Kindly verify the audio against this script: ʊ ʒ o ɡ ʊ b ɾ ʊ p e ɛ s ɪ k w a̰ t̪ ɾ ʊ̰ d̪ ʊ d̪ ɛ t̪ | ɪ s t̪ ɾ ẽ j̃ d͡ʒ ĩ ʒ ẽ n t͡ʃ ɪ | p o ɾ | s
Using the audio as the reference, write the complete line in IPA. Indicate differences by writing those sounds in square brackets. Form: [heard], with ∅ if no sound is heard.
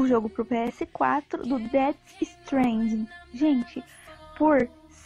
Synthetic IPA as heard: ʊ ʒ o ɡ ʊ [p] ɾ ʊ p e ɛ s ɪ k w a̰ t̪ ɾ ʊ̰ d̪ ʊ d̪ ɛ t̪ | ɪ s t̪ ɾ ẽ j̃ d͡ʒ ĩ ʒ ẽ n t͡ʃ ɪ | p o ɾ | s